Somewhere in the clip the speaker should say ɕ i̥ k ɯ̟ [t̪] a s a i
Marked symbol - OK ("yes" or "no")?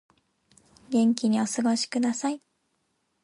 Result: no